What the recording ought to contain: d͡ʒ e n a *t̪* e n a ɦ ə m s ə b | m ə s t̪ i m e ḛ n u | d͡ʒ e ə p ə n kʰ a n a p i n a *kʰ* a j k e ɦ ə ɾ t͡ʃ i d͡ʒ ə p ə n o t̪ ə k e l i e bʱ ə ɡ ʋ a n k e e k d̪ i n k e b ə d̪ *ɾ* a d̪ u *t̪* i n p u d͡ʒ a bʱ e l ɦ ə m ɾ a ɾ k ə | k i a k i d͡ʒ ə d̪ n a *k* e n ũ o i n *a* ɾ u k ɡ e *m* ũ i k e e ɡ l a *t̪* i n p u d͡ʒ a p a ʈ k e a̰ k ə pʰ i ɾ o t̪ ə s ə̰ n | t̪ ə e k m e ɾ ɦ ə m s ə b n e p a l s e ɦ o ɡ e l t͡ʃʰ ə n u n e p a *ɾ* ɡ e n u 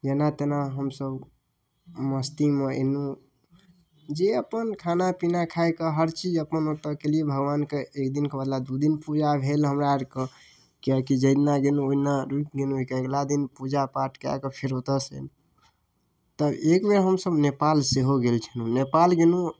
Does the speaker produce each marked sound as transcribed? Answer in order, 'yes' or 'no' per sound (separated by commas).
yes, yes, no, no, no, yes, no, no, no